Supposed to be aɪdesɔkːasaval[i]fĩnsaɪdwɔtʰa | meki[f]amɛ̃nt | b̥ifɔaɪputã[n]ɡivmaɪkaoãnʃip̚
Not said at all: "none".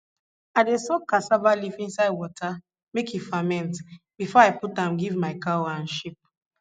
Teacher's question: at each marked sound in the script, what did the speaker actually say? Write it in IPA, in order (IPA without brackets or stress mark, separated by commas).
i, f, m